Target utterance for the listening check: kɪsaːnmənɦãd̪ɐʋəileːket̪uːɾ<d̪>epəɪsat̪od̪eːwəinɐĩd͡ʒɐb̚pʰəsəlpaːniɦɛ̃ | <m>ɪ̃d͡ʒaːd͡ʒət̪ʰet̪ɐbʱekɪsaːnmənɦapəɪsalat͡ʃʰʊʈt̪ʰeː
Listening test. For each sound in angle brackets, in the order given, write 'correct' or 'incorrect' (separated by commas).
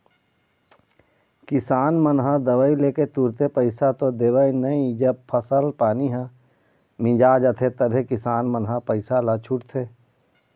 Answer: incorrect, correct